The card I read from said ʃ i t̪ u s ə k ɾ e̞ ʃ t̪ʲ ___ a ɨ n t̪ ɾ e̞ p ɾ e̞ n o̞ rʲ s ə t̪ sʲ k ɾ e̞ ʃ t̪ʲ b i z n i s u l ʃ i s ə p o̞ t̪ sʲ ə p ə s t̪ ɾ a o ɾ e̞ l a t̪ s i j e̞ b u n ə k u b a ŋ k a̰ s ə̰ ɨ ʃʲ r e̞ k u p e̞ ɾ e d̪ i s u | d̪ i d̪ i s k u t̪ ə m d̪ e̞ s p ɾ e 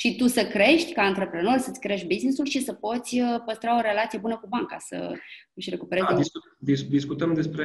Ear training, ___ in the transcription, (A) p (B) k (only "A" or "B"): B